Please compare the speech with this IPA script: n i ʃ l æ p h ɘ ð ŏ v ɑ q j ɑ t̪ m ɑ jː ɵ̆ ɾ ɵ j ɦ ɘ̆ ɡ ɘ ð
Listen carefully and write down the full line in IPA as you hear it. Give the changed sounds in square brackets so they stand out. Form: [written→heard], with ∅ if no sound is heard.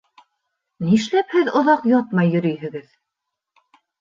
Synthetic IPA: n i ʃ l æ p h ɘ ð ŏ [v→ð] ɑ q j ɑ t̪ m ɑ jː ɵ̆ ɾ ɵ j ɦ ɘ̆ ɡ ɘ ð